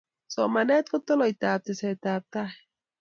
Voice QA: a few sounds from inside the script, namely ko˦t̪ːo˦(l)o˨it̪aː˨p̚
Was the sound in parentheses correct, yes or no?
yes